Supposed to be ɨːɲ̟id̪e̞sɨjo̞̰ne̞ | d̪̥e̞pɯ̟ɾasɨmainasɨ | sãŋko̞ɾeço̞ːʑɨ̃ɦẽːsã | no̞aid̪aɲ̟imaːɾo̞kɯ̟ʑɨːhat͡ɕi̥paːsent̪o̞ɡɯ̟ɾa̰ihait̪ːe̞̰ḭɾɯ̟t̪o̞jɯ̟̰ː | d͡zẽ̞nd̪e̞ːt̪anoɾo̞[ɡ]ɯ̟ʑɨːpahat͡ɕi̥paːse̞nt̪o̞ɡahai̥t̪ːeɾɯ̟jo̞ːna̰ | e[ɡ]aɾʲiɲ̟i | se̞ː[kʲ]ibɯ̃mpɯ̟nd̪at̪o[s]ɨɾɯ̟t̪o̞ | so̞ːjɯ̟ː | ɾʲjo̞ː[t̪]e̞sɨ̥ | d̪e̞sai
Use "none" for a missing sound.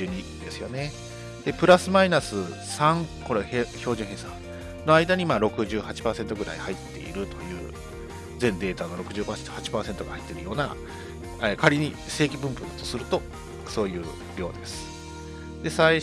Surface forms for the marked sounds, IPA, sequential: k, k, kʲ, s, d̪

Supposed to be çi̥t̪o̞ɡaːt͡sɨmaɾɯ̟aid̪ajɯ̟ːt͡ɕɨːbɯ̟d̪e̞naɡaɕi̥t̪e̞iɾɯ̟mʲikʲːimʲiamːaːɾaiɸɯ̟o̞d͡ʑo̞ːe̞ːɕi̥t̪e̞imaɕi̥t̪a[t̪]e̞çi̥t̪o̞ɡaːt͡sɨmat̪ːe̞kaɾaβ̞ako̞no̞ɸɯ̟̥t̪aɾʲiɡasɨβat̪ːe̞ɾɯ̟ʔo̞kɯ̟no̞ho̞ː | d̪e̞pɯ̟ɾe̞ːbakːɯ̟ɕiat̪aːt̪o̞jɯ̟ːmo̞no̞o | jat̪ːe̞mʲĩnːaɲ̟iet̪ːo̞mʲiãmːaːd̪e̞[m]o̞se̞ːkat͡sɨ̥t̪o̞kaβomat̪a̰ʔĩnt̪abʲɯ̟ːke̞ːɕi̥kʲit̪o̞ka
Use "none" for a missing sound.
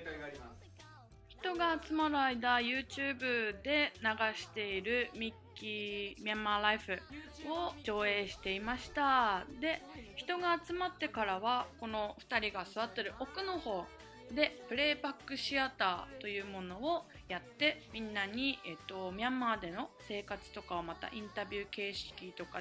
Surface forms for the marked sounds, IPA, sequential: d̪, n

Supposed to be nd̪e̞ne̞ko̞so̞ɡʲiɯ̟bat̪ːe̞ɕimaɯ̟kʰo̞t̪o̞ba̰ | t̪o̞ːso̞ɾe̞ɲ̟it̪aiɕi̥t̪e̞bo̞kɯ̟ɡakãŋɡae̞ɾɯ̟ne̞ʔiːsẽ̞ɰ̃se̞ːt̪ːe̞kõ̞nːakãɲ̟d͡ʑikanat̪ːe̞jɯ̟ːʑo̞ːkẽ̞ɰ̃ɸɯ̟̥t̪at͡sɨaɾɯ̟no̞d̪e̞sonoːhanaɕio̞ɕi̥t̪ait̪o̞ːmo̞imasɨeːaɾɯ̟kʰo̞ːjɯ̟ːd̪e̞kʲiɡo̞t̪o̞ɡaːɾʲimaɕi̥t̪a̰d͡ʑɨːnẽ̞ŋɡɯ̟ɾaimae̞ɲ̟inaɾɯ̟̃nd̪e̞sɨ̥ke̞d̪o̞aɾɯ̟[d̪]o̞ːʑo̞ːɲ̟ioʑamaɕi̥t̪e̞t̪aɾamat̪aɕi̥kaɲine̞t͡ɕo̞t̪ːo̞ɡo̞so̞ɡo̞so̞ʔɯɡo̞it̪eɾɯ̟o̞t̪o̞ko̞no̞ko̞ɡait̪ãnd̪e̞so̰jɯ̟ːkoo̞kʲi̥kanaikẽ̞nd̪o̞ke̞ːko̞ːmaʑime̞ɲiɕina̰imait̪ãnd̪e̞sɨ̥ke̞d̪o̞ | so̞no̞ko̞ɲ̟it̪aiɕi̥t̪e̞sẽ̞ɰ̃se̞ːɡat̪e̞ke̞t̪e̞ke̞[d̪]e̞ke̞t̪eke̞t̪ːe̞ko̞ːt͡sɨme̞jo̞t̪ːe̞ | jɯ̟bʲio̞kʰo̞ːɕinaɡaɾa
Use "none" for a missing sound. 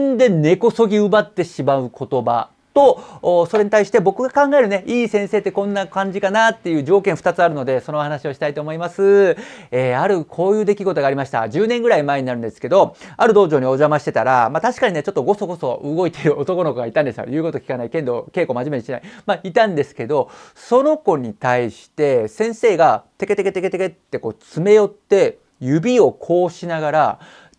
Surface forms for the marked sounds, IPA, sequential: d̪, t̪

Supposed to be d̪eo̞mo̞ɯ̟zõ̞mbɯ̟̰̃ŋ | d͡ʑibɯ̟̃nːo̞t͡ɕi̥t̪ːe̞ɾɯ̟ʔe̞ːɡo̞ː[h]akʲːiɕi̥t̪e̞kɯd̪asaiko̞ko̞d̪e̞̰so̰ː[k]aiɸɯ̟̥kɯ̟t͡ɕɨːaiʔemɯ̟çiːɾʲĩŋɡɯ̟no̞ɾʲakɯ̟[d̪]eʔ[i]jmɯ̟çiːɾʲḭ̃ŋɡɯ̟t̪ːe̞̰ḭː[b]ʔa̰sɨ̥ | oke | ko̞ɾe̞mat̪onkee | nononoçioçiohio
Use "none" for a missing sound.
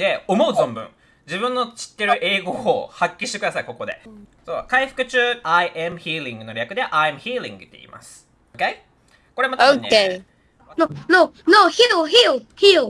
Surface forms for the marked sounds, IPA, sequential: h, k, d̪, a, m

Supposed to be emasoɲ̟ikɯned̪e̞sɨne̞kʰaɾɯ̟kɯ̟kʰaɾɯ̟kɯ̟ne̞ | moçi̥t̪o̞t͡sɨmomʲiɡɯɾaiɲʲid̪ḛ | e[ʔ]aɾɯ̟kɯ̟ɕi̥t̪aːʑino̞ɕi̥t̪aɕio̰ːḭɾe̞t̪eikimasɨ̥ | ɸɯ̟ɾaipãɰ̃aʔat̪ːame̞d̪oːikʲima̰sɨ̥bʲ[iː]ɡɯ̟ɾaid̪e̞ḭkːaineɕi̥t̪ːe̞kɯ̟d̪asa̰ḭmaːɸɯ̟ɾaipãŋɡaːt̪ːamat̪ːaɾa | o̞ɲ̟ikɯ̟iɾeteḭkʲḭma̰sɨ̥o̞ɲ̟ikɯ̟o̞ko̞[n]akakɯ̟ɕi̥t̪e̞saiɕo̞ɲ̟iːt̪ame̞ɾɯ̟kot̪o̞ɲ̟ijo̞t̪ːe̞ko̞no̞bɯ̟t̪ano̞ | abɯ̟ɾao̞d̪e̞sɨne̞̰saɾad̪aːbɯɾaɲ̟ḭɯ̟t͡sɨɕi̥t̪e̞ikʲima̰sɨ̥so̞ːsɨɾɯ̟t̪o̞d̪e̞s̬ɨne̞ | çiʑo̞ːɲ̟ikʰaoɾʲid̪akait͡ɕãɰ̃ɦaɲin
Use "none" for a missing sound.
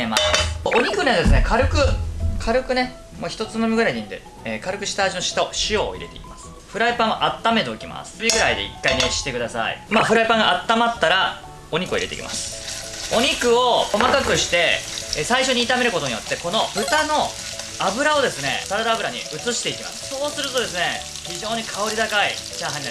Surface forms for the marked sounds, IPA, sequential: k, i, m

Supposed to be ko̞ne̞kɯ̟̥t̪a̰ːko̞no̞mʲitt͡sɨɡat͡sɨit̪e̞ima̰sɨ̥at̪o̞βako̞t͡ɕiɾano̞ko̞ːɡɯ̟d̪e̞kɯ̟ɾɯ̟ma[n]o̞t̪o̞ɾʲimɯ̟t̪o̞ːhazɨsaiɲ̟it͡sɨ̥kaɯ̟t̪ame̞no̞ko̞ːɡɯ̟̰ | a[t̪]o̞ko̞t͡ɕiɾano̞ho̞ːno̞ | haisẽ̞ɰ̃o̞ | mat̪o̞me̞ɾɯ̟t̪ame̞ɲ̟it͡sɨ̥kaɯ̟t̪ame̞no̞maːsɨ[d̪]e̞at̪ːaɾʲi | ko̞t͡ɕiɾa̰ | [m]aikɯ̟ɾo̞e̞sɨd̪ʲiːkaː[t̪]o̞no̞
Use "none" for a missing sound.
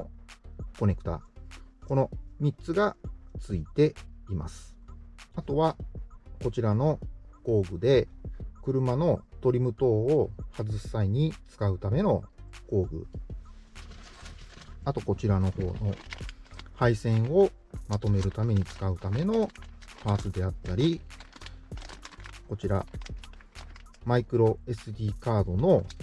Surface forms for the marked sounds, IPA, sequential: n, t̪, d̪, m, d̪

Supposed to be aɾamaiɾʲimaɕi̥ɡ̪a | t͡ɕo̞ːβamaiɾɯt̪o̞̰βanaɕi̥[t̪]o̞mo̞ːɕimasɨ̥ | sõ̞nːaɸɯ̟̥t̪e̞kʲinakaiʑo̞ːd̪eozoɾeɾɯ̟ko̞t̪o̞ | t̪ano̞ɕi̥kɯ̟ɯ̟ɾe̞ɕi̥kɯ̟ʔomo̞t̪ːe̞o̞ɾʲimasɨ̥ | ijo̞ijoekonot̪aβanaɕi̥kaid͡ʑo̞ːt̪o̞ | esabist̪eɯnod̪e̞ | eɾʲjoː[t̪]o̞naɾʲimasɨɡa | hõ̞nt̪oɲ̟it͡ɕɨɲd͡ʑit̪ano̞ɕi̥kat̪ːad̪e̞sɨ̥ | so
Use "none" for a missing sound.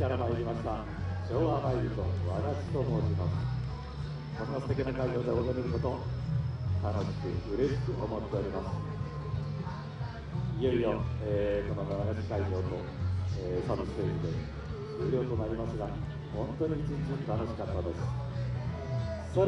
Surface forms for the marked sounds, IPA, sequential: t̪, t̪

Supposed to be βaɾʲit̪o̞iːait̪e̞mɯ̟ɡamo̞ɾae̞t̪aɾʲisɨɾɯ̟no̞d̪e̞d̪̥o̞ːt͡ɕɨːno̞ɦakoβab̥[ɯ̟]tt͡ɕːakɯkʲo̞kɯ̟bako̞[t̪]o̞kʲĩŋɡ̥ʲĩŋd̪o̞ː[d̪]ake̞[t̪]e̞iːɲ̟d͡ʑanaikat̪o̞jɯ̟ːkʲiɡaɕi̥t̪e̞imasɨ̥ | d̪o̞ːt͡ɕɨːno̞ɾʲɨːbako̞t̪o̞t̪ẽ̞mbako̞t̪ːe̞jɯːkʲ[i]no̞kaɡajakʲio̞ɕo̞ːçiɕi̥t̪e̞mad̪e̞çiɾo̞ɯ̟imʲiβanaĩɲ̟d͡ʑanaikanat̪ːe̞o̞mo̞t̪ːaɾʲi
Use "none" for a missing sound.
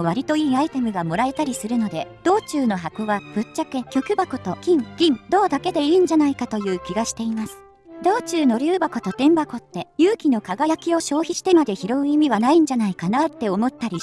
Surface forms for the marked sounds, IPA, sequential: ɯ̟, t̪, d̪, d̪, i

